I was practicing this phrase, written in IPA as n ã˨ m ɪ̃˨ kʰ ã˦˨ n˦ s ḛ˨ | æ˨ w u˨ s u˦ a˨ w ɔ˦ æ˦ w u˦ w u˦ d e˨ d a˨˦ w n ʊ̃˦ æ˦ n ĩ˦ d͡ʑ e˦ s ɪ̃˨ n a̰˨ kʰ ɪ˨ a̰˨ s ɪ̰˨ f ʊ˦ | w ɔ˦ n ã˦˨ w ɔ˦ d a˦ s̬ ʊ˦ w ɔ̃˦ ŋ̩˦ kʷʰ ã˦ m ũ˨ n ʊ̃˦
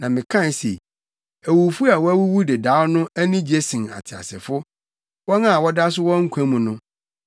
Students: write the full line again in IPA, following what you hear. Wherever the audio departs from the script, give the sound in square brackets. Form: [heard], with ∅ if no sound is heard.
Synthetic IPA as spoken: n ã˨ m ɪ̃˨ kʰ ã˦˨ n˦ s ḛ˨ | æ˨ w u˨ [f] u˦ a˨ w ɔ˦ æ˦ w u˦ w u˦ d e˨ d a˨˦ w n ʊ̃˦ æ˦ n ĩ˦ d͡ʑ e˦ s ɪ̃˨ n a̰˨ [tʰ] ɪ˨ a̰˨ s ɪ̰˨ f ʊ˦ | w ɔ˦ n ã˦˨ w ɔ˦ d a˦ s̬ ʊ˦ w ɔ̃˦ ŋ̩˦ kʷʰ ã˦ m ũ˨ n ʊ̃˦